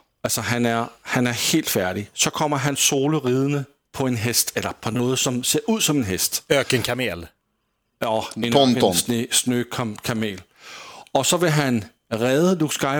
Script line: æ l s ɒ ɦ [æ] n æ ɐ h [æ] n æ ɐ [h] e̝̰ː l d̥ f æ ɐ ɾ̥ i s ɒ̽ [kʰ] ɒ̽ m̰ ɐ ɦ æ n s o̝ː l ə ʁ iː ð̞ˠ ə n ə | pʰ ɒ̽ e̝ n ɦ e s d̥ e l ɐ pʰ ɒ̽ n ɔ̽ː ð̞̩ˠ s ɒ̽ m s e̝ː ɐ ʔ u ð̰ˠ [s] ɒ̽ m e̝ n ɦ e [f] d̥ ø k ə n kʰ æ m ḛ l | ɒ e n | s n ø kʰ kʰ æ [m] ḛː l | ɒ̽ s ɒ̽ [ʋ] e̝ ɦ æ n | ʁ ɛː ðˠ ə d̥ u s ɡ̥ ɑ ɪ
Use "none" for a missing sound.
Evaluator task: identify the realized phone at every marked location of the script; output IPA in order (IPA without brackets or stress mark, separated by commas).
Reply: æ, æ, h, kʰ, s, s, m, ʋ